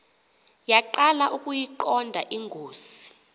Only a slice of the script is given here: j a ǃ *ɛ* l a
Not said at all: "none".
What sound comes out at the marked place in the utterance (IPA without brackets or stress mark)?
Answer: a